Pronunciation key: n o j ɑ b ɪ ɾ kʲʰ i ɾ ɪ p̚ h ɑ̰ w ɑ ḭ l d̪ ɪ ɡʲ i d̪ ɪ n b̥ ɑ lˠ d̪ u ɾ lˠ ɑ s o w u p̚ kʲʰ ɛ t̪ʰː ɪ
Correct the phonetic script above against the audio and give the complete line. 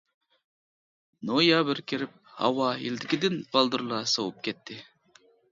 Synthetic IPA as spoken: n o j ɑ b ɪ ɾ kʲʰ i ɾ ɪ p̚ h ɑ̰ w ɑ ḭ l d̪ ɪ kʲ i d̪ ɪ n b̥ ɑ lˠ d̪ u ɾ lˠ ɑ s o w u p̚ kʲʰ ɛ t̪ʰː ɪ